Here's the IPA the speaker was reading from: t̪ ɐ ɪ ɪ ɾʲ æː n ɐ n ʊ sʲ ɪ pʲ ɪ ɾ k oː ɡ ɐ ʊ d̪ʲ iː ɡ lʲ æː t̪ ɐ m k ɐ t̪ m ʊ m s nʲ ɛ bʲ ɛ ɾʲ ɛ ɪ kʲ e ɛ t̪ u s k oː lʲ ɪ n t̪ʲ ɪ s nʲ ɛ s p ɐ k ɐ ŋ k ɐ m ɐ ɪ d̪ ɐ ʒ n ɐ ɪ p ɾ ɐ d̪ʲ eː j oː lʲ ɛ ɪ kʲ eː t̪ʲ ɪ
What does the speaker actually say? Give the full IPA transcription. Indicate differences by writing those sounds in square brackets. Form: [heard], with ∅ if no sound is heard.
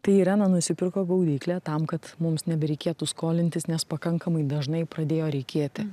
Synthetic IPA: t̪ ɐ ɪ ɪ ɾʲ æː n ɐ n ʊ sʲ ɪ pʲ ɪ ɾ k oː ɡ ɐ ʊ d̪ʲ iː [k] lʲ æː t̪ ɐ m k ɐ t̪ m ʊ m s nʲ ɛ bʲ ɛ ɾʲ ɛ ɪ kʲ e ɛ t̪ u s k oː lʲ ɪ n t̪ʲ ɪ s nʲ ɛ s p ɐ k ɐ ŋ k ɐ m ɐ ɪ d̪ ɐ ʒ n ɐ ɪ p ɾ ɐ d̪ʲ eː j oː [ɾʲ] ɛ ɪ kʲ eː t̪ʲ ɪ